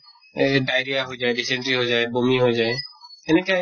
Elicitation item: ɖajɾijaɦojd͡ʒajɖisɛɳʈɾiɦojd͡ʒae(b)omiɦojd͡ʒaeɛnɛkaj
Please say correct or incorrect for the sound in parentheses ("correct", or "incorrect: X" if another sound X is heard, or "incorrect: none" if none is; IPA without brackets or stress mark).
correct